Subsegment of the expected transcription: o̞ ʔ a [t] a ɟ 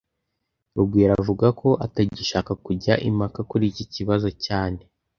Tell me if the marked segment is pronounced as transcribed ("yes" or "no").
yes